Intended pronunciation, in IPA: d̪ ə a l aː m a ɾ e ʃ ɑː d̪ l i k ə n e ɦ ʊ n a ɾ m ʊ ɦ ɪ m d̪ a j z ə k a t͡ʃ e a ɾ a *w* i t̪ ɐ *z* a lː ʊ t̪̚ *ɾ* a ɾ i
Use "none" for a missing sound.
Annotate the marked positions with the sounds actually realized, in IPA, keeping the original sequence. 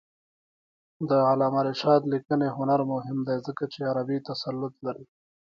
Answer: b, s, l

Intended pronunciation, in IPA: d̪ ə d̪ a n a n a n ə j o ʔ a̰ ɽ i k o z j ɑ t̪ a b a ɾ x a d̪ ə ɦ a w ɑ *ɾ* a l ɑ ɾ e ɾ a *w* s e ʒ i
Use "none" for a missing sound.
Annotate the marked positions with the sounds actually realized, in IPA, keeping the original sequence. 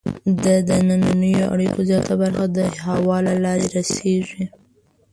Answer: l, none

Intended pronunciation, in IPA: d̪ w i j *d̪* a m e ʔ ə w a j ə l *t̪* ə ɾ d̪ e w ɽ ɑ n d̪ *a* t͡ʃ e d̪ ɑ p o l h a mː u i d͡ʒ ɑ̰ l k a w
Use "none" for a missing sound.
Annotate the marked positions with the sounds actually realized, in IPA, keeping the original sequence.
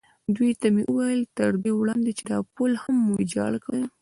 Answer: t̪, t̪, e

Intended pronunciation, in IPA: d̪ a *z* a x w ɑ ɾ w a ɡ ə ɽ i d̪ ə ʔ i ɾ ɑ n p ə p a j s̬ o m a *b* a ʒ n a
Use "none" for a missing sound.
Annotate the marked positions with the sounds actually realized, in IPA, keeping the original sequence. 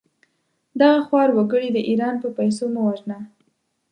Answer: ɣ, w

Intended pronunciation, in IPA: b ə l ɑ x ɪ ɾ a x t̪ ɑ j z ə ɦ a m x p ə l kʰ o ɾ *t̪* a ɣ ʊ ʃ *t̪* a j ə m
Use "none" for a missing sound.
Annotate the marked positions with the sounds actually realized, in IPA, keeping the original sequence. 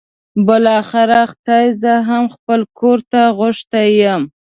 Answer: t̪, t̪

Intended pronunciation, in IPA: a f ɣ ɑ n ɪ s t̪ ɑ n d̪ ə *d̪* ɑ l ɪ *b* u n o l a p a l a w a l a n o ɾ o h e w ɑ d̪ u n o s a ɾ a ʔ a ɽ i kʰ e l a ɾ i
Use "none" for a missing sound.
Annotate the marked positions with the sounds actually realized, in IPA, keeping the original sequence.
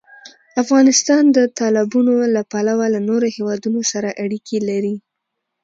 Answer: t̪, b

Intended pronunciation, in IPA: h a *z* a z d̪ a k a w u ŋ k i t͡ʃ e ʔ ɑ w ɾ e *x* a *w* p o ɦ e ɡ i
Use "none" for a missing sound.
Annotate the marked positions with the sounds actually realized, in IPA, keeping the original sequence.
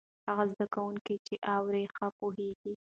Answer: ɣ, x, none

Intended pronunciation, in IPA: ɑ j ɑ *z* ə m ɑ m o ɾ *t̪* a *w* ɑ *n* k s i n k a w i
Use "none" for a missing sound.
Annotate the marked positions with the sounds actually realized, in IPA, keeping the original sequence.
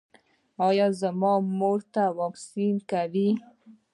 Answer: z, t̪, w, none

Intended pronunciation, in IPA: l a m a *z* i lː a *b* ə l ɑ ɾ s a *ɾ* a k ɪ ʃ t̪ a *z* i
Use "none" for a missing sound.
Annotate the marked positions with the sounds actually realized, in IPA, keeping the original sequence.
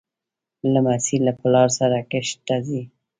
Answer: s, p, ɾ, z

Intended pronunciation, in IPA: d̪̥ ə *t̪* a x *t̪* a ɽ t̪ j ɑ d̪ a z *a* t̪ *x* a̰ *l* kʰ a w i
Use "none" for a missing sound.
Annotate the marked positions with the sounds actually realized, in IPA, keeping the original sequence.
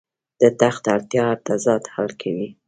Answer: t̪, t̪, ɑ, h, l

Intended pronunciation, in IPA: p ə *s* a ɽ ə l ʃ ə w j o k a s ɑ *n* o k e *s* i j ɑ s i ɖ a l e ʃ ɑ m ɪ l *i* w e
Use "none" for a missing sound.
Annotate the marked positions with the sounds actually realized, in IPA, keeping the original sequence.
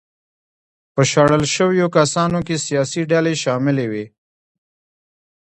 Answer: ʃ, n, s, e

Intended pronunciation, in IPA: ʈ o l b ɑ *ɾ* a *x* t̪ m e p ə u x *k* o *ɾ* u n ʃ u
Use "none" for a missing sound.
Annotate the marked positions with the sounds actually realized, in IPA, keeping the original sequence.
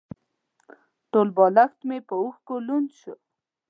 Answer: l, x, k, l

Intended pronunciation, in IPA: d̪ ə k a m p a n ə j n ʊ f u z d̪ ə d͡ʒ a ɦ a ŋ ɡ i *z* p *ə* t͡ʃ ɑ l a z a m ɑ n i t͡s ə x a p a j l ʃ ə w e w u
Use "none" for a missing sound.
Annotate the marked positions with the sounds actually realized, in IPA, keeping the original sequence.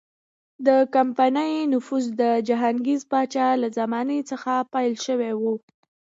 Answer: z, ɑ

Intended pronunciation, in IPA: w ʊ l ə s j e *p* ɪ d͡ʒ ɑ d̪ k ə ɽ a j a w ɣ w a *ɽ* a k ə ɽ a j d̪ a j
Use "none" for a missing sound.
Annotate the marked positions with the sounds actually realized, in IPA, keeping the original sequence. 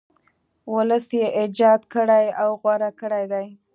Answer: ʔ, ɾ

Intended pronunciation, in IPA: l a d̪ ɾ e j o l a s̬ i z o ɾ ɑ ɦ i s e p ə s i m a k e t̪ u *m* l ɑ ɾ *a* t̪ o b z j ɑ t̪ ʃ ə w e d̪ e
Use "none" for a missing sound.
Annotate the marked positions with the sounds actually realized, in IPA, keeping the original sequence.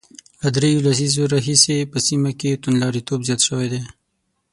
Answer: n, i

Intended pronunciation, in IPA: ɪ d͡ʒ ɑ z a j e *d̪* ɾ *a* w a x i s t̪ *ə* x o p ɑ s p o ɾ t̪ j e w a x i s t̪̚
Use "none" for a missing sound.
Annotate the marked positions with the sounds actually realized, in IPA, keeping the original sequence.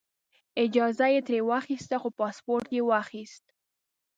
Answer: t̪, e, a

